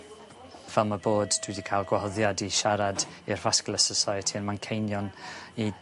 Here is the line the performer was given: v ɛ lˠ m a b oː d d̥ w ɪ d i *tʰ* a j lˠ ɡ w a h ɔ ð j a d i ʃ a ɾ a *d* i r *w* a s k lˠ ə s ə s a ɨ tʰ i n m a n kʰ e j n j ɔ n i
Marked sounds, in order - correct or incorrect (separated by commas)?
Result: incorrect, correct, incorrect